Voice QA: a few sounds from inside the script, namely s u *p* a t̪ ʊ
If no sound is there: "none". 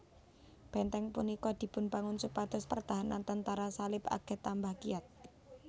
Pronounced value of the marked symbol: p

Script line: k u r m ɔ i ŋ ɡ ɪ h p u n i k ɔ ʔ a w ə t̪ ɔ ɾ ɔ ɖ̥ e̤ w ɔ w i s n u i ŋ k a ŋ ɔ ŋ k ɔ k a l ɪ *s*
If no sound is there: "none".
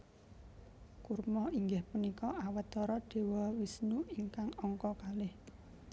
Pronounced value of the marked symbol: h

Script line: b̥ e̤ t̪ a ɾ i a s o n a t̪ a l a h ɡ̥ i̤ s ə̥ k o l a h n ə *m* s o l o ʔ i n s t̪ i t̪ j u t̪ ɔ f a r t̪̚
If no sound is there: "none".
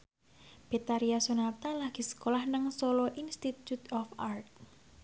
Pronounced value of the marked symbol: ŋ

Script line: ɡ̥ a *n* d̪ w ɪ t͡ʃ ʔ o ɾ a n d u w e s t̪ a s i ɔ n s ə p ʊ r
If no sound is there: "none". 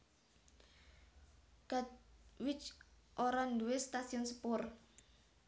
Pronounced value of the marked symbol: none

